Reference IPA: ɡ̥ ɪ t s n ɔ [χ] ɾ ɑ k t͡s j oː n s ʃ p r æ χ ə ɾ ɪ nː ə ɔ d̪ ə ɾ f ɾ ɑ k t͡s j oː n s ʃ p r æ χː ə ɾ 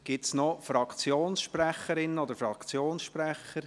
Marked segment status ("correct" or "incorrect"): incorrect